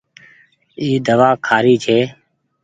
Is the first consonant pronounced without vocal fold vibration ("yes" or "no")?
no